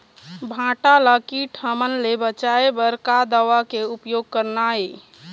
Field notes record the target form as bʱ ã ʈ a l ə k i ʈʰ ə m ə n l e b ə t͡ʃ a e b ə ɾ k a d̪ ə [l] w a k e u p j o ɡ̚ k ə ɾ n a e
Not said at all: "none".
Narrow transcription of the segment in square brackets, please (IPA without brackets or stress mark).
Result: none